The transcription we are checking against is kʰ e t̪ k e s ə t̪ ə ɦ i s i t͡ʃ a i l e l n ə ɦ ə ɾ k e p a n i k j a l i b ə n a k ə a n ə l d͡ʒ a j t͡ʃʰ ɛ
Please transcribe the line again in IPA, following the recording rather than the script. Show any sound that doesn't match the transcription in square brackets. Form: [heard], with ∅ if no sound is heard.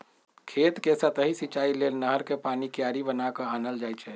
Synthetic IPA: kʰ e t̪ k e s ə t̪ ə ɦ i s i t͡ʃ a i l e l n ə ɦ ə ɾ k e p a n i k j a [ɾ] i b ə n a k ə a n ə l d͡ʒ a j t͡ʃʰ ɛ